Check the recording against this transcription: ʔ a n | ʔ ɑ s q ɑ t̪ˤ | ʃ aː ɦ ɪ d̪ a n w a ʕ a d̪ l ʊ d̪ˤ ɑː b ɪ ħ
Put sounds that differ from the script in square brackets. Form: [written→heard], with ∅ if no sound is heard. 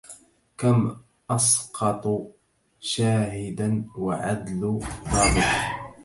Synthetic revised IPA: [ʔ→k] a [n→m] | ʔ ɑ s q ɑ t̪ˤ | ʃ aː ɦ ɪ d̪ a n w a ʕ a d̪ l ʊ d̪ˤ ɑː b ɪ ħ